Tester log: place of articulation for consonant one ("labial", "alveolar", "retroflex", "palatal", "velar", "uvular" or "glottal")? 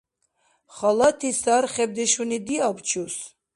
uvular